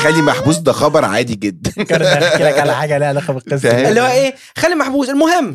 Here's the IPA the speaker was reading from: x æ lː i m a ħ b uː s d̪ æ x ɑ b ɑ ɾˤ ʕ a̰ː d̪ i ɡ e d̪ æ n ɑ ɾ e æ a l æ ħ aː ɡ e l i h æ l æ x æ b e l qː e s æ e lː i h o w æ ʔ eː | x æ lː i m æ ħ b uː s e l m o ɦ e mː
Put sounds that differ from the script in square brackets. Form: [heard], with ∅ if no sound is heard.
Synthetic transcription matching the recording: x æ lː i m a ħ b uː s d̪ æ x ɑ b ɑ ɾˤ ʕ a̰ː d̪ i ɡ e [d̪ː] æ n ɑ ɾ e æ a l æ ħ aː ɡ [æ] l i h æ l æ x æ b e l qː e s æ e lː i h o w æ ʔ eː | x æ lː i m [a] ħ b uː s e l m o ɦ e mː